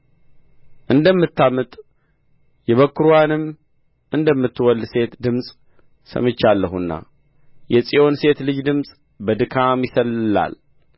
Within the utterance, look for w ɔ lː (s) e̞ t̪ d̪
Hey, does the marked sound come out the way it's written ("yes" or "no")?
yes